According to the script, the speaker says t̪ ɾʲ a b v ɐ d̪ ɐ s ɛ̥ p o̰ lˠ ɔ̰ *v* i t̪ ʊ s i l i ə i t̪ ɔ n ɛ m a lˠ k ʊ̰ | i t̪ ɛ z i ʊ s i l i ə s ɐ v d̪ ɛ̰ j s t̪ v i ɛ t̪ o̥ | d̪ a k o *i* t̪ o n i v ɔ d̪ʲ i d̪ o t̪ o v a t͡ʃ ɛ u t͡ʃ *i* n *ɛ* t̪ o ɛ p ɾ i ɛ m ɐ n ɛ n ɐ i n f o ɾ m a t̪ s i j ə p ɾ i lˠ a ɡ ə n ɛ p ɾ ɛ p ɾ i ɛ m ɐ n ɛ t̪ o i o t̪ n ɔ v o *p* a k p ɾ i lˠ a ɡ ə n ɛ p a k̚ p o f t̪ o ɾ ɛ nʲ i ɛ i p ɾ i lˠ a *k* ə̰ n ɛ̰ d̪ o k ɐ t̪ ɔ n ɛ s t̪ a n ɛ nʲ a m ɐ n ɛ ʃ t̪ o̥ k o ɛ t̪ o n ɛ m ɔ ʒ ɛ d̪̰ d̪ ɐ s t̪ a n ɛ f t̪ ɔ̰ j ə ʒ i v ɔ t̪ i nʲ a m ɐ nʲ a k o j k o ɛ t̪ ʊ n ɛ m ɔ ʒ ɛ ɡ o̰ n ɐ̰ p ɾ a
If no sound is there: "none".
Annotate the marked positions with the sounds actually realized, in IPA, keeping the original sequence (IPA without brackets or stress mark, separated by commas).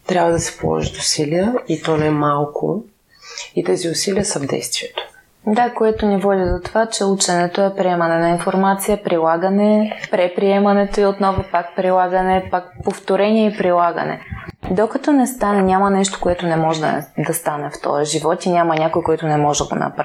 ʒ, ɛ, ɛ, ɛ, p, ɡ